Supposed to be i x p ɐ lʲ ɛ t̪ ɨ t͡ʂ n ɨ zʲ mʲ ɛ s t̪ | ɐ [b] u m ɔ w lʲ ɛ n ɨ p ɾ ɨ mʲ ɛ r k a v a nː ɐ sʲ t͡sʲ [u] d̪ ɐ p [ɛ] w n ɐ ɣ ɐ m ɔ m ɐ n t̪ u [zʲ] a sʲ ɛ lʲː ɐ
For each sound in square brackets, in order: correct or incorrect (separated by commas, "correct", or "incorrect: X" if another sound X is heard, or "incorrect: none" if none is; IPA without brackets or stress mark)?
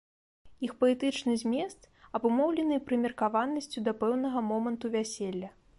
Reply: correct, correct, correct, incorrect: vʲ